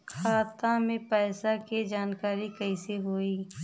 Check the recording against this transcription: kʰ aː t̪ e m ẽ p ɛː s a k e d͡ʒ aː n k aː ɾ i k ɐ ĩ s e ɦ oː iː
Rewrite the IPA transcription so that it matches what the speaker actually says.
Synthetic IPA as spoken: kʰ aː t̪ a m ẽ p ɛː s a k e d͡ʒ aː n k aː ɾ i k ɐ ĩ s e ɦ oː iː